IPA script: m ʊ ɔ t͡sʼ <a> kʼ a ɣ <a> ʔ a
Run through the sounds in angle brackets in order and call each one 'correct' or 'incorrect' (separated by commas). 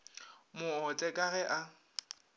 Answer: incorrect, incorrect